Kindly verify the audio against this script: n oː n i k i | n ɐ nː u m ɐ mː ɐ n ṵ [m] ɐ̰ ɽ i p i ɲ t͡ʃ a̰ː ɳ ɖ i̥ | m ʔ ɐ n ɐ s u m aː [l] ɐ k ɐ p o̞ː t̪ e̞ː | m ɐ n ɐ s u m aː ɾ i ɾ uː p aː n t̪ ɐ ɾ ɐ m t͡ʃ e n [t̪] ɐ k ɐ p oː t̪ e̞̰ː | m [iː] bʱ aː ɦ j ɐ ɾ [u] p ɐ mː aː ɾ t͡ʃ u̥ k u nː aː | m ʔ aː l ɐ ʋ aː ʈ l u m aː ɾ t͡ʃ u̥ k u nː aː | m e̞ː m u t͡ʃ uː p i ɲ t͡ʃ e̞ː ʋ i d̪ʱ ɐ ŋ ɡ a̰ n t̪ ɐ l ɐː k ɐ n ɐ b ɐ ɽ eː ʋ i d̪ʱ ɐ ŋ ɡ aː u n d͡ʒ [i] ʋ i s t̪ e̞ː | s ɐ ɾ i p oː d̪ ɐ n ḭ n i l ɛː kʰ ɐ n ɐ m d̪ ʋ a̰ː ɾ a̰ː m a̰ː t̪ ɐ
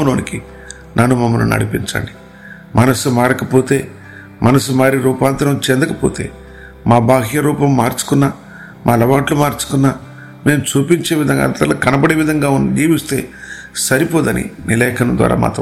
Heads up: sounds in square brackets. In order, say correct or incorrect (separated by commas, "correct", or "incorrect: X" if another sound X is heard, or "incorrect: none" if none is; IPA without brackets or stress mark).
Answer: incorrect: n, incorrect: ɾ, incorrect: d̪, incorrect: aː, incorrect: uː, incorrect: iː